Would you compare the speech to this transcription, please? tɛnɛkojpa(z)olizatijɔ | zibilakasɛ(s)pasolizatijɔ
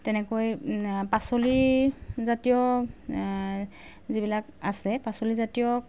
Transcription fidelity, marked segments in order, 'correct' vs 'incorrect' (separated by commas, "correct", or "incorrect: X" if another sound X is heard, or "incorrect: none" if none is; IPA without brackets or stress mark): incorrect: s, incorrect: none